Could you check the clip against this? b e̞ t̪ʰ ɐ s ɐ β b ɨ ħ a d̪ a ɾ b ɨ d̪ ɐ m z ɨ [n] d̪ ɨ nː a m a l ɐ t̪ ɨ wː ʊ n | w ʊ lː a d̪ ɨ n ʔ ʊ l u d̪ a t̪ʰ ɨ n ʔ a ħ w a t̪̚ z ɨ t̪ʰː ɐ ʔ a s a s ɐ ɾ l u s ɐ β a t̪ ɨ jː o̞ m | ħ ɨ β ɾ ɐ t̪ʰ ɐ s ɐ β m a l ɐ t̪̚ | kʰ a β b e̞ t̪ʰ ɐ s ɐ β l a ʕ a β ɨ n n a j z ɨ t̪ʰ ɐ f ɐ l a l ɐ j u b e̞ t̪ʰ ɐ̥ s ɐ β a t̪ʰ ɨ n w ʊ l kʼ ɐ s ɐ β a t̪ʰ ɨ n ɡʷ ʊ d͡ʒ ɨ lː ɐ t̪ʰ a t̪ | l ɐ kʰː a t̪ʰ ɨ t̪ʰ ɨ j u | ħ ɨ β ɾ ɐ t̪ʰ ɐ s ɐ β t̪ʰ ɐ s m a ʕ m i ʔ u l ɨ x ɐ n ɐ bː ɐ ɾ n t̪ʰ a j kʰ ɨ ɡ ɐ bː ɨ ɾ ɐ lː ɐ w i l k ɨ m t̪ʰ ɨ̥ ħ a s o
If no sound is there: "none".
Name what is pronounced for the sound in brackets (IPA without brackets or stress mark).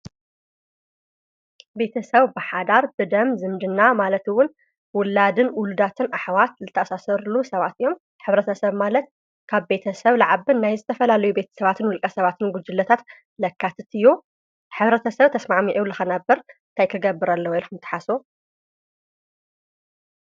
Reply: m